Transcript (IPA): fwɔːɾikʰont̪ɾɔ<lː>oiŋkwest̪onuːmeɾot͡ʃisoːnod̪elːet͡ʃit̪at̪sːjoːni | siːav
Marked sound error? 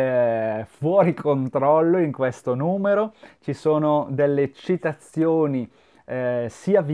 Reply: no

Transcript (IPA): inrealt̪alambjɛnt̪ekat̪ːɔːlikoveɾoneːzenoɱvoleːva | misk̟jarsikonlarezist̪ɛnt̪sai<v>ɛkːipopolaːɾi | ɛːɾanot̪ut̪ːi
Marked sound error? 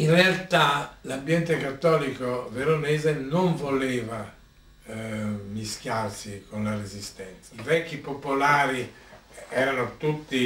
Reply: no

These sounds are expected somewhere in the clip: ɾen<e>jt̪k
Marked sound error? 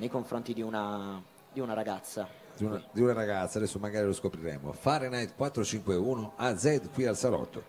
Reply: yes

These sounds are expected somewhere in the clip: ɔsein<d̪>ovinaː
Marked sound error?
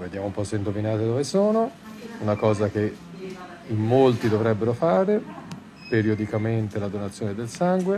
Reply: no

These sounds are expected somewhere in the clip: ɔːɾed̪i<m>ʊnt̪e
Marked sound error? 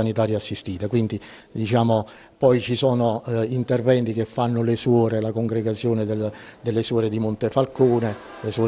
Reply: no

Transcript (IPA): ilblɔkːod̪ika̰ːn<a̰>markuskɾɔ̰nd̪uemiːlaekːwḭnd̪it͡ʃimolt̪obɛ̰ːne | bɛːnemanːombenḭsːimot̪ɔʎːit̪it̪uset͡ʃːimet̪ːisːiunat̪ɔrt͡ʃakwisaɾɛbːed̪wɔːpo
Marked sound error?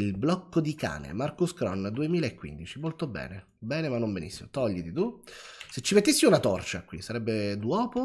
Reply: yes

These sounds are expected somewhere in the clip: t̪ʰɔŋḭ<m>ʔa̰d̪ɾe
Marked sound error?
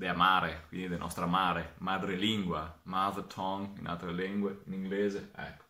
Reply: yes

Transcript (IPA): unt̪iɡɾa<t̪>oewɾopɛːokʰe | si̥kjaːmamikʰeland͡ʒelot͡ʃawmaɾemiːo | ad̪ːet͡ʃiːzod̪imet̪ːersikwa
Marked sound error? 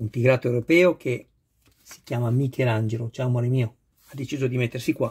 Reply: no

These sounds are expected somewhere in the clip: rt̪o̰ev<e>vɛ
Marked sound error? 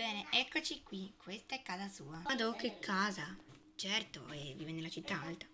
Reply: yes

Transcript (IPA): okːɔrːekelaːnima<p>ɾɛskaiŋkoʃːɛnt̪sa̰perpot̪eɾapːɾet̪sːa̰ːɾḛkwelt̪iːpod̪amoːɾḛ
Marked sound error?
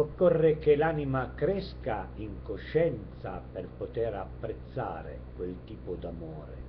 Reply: yes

